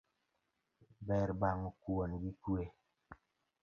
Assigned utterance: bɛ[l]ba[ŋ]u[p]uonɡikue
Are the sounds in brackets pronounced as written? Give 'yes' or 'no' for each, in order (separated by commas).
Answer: no, yes, no